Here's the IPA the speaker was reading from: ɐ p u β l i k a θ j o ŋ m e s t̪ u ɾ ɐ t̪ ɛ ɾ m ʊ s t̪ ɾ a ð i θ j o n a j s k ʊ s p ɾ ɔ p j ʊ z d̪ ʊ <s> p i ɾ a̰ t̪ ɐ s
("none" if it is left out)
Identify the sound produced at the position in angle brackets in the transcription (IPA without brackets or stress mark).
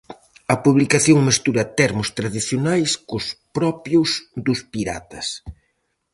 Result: s